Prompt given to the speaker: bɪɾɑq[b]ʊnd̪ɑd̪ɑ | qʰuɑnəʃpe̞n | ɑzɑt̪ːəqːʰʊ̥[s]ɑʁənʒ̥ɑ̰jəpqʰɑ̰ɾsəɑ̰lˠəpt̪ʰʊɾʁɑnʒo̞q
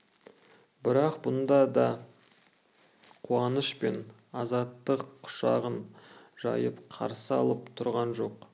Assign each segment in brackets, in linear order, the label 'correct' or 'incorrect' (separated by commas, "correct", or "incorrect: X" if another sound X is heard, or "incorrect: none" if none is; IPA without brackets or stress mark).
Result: correct, incorrect: ʃ